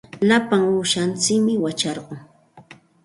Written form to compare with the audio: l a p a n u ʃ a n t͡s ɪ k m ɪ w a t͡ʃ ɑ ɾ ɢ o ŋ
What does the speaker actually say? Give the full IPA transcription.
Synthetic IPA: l a p a ŋ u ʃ a n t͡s ɪ k m ɪ w a t͡ʃ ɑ ɾ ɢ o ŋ